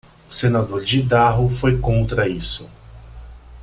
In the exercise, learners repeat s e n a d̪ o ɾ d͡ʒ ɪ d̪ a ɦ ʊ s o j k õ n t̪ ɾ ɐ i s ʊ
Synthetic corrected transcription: s e n a d̪ o ɾ d͡ʒ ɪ d̪ a ɦ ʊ f o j k õ n t̪ ɾ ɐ i s ʊ

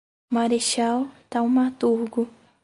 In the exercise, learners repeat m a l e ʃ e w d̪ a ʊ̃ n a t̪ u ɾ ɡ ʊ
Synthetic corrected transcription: m a ɾ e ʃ a w t̪ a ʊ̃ m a t̪ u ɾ ɡ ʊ

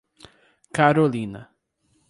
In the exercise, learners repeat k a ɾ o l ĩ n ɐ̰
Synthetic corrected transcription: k a ɾ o l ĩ n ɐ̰

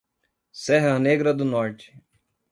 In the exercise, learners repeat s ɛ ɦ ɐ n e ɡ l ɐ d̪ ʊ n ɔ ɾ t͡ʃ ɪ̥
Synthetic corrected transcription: s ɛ ɦ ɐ n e ɡ ɾ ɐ d̪ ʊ n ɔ ɾ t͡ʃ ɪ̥

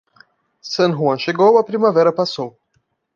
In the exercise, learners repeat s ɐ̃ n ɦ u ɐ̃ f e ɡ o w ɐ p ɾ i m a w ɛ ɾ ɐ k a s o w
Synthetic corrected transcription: s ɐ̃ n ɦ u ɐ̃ ʃ e ɡ o w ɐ p ɾ i m a v ɛ ɾ ɐ p a s o w

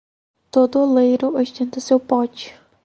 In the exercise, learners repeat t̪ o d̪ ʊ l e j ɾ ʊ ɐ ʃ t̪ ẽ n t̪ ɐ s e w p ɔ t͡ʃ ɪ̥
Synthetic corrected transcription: t̪ o d̪ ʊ l e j ɾ ʊ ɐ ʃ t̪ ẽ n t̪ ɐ s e w p ɔ t͡ʃ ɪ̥

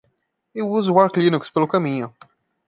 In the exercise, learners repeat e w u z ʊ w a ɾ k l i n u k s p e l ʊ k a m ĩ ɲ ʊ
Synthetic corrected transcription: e w u z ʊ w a ɾ k l i n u k s p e l ʊ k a m ĩ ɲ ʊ

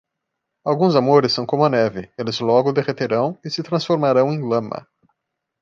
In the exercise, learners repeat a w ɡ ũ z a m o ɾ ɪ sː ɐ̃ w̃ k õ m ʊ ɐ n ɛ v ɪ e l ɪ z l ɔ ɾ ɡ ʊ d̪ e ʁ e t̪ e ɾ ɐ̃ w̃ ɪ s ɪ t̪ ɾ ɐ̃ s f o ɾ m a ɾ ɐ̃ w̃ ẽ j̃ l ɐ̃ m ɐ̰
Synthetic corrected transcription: a w ɡ ũ z a m o ɾ ɪ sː ɐ̃ w̃ k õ m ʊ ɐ n ɛ v ɪ e l ɪ z l ɔ ɡ ʊ d̪ e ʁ e t̪ e ɾ ɐ̃ w̃ ɪ s ɪ t̪ ɾ ɐ̃ s f o ɾ m a ɾ ɐ̃ w̃ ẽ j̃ l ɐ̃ m ɐ̰

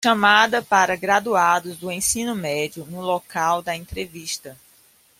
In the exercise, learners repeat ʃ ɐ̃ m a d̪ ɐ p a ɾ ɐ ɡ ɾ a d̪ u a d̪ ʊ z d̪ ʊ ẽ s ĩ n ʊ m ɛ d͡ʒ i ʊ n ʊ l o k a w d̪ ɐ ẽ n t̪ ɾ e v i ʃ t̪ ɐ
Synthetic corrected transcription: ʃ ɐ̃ m a d̪ ɐ p a ɾ ɐ ɡ ɾ a d̪ u a d̪ ʊ z d̪ ʊ ẽ s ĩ n ʊ m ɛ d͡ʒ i ʊ n ʊ l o k a w d̪ ɐ ẽ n t̪ ɾ e v i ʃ t̪ ɐ

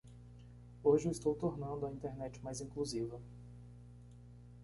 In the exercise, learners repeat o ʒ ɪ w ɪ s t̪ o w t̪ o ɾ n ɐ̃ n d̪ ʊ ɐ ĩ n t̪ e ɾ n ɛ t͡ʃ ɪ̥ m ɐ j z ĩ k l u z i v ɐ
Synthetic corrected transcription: o ʒ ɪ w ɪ s t̪ o w t̪ o ɾ n ɐ̃ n d̪ ʊ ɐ ĩ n t̪ e ɾ n ɛ t͡ʃ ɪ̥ m a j z ĩ k l u z i v ɐ

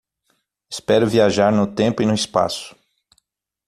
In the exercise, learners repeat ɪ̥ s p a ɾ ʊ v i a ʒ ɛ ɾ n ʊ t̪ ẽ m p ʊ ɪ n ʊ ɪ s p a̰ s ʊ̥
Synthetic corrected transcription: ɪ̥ s p ɛ ɾ ʊ v i a ʒ a ɾ n ʊ t̪ ẽ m p ʊ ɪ n ʊ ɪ s p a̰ s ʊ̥

